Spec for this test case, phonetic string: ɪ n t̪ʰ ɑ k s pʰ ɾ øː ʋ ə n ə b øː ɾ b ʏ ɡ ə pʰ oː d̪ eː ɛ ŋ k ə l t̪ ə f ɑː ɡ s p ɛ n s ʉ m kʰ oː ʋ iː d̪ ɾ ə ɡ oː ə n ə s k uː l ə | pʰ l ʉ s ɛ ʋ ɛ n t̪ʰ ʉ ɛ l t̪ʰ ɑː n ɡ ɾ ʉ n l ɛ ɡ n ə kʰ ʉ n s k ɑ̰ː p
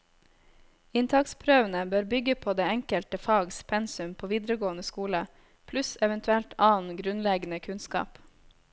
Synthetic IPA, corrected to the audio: ɪ n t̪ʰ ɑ k s pʰ ɾ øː ʋ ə n ə b øː ɾ b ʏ ɡ ə pʰ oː d̪ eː ɛ ŋ k ə l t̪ ə f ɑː ɡ s pʰ ɛ n s ʉ m pʰ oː ʋ iː d̪ ɾ ə ɡ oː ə n ə s k uː l ə | pʰ l ʉ s ɛ ʋ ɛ n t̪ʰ ʉ ɛ l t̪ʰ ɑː n ɡ ɾ ʉ n l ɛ ɡ n ə kʰ ʉ n s k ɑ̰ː p

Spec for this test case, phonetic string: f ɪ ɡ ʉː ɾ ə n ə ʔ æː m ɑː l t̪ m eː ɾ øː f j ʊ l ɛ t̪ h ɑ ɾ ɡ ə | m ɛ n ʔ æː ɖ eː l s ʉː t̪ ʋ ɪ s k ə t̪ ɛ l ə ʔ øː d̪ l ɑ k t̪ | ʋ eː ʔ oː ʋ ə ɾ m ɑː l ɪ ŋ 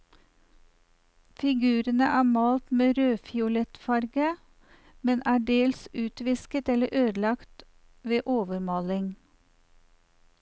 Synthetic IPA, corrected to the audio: f ɪ ɡ ʉː ɾ ə n ə ʔ æː m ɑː l t̪ m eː ɾ øː f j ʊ l ɛ t̪ f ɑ ɾ ɡ ə | m ɛ n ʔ æː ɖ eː l s ʉː t̪ ʋ ɪ s k ə t̪ ɛ l ə ʔ øː d̪ l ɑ k t̪ | ʋ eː ʔ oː ʋ ə ɾ m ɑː l ɪ ŋ

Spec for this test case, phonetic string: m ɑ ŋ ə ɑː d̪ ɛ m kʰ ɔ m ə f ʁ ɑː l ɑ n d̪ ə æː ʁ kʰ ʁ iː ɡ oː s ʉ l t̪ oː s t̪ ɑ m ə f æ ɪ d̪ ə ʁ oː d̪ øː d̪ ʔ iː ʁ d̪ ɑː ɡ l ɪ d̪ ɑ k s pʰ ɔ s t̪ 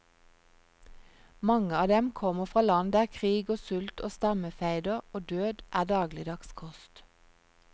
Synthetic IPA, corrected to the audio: m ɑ ŋ ə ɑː d̪ ɛ m kʰ ɔ m ə f ʁ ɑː l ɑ n d̪ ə æː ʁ kʰ ʁ iː ɡ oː s ʉ l t̪ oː s t̪ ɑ m ə f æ ɪ d̪ ə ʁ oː d̪ øː d̪ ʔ æː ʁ d̪ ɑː ɡ l ɪ d̪ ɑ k s kʰ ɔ s t̪

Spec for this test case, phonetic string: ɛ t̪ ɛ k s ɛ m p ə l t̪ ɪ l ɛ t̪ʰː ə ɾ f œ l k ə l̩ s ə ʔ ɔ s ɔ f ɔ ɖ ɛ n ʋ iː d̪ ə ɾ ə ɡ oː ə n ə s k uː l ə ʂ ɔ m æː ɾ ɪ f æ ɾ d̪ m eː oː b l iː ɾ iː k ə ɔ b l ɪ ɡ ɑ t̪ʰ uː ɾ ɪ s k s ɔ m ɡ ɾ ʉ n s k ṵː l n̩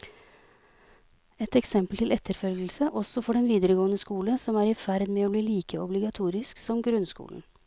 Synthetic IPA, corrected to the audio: ɛ t̪ ɛ k s ɛ m p ə l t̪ ɪ l ɛ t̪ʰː ə ɾ f œ l ɡ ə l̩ s ə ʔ ɔ s ɔ f ɔ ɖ ɛ n ʋ iː d̪ ə ɾ ə ɡ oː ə n ə s k uː l ə s ɔ m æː ɾ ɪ f æ ɾ d̪ m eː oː b l iː l iː k ə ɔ b l ɪ ɡ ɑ t̪ʰ uː ɾ ɪ s k s ɔ m ɡ ɾ ʉ n s k ṵː l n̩

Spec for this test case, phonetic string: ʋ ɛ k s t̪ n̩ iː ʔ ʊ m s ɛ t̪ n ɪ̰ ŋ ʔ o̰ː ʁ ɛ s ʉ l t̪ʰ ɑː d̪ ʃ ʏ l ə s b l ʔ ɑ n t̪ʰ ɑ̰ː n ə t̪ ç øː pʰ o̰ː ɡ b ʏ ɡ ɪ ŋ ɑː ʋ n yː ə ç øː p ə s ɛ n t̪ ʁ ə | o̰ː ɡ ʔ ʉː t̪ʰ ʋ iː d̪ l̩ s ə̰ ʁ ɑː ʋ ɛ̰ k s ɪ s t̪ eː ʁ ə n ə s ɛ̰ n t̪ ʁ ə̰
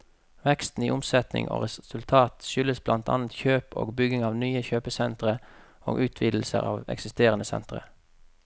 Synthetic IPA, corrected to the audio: ʋ ɛ k s t̪ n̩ iː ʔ ʊ m s ɛ t̪ n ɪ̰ ŋ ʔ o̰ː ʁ ɛ s ʉ l t̪ʰ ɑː t̪ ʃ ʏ l ə s b l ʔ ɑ n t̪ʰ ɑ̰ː n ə t̪ ç øː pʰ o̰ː ɡ b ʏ ɡ ɪ ŋ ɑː ʋ n yː ə ç øː p ə s ɛ n t̪ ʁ ə | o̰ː ɡ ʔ ʉː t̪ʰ ʋ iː d̪ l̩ s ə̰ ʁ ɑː ʋ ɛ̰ k s ɪ s t̪ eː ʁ ə n ə s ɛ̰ n t̪ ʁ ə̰

